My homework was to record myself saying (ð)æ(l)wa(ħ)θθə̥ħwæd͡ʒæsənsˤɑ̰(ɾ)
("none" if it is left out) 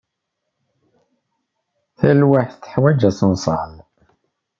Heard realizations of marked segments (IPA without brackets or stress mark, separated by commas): θ, l, ħ, l